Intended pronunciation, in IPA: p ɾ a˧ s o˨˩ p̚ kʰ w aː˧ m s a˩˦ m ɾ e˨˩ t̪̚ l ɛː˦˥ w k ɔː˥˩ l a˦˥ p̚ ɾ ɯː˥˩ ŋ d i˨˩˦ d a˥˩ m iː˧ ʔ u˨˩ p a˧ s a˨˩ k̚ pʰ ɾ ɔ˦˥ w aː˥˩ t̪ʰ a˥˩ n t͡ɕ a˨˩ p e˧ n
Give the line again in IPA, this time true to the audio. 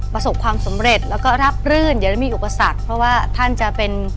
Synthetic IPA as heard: p ɾ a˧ s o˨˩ p̚ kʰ w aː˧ m s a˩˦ m ɾ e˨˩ t̪̚ l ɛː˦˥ w k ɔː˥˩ ɾ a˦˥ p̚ ɾ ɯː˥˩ n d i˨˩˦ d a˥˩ m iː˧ ʔ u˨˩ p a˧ s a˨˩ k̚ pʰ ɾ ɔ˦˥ w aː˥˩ t̪ʰ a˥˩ n t͡ɕ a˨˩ p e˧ n